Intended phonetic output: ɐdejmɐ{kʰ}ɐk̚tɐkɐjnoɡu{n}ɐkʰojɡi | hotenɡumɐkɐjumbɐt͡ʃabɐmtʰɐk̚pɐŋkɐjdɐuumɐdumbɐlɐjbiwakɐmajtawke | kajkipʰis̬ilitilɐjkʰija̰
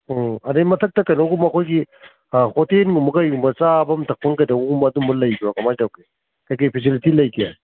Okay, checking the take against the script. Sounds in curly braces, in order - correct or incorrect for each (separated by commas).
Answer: incorrect, incorrect